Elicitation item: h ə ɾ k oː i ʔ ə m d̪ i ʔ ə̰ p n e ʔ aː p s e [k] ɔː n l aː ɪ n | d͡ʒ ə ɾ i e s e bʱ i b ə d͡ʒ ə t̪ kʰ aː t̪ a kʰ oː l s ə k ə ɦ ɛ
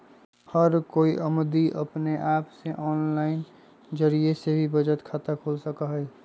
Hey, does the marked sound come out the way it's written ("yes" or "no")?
no